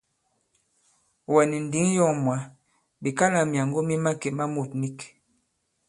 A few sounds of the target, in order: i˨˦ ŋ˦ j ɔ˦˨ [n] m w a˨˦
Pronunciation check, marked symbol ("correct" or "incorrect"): incorrect